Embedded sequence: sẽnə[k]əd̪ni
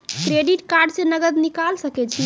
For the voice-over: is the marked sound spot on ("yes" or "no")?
no